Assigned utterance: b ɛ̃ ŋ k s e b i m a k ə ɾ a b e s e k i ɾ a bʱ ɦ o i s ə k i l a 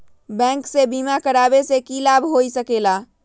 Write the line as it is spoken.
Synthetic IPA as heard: b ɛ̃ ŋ k s e b i m a k ə ɾ a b e s e k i l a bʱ ɦ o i s ə k e l a

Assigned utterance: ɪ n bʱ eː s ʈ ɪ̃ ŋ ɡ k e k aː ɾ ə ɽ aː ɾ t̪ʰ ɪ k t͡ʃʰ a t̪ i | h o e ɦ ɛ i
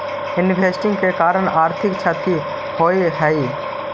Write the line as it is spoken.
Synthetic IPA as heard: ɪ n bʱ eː s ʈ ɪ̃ ŋ ɡ k e k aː ɾ ə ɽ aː ɾ t̪ʰ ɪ k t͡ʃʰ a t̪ i | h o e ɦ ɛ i

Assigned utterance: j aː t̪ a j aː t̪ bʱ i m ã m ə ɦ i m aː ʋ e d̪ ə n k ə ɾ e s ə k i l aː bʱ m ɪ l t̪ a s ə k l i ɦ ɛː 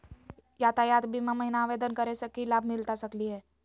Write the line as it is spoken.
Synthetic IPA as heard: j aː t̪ a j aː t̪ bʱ i m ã m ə ɦ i n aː ʋ e d̪ ə n k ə ɾ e s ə k i l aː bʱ m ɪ l t̪ a s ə k l i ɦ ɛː

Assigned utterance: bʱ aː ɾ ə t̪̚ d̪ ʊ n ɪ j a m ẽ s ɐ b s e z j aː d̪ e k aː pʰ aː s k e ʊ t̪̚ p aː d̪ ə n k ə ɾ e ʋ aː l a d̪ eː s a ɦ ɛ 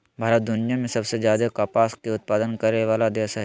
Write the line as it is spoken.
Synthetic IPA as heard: bʱ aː ɾ ə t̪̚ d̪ ʊ n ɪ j a m ẽ s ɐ b s e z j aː d̪ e k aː p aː s k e ʊ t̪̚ p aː d̪ ə n k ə ɾ e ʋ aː l a d̪ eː s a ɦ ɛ

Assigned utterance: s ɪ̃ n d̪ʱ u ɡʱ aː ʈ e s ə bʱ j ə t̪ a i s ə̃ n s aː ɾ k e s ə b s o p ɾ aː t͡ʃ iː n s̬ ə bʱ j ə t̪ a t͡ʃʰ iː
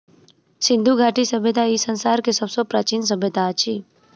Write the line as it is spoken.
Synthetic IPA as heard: s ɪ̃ n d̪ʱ u ɡʱ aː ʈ i s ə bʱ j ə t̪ a i s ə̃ n s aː ɾ k e s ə b s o p ɾ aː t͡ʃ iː n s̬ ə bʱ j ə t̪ a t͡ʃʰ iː

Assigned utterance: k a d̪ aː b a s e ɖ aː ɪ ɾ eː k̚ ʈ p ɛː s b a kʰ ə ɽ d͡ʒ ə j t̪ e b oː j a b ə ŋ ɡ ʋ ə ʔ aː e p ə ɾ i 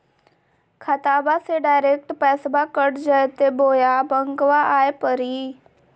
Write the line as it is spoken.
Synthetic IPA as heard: kʰ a t̪ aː b a s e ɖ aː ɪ ɾ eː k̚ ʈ p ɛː s b a k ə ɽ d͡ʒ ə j t̪ e b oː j a b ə ŋ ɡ ʋ a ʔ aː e p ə ɾ i

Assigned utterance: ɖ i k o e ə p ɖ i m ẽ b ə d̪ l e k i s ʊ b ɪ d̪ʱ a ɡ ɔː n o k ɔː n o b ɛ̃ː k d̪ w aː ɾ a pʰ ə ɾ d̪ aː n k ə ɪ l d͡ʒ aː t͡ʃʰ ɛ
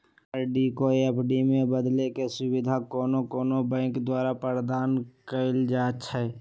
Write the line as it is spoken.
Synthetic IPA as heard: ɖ i k o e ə p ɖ i m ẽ b ə d̪ l e k e s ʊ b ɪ d̪ʱ a k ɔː n o k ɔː n o b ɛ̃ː k d̪ w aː ɾ a p ə ɾ d̪ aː n k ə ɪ l d͡ʒ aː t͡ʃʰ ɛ

